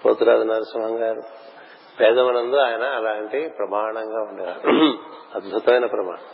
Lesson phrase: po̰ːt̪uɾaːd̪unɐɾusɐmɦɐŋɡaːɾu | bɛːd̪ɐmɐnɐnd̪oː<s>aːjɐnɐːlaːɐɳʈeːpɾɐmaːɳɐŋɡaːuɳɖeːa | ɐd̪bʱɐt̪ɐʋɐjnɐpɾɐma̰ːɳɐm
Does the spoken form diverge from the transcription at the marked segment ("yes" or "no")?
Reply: yes